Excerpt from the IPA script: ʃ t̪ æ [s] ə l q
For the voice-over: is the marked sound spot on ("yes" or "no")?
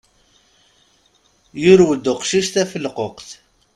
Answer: no